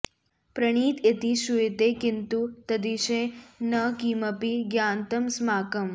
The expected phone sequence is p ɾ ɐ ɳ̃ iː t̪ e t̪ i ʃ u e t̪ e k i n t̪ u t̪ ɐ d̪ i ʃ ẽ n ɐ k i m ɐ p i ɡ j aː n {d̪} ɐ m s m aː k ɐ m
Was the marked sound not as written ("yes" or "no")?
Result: yes